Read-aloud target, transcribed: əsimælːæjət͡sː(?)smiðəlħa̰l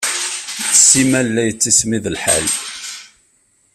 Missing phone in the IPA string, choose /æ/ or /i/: i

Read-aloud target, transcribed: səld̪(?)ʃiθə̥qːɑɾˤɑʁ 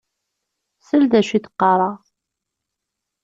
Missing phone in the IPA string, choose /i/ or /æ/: æ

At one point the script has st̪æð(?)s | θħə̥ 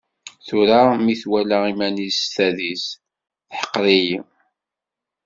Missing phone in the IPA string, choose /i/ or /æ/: i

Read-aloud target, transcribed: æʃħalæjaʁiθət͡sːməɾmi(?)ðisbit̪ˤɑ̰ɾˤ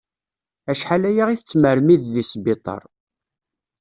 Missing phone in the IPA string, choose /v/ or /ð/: ð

